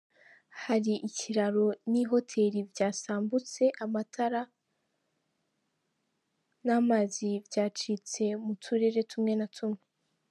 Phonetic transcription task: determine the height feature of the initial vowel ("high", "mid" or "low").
low